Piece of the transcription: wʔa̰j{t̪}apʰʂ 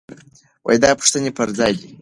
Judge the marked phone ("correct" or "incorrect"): incorrect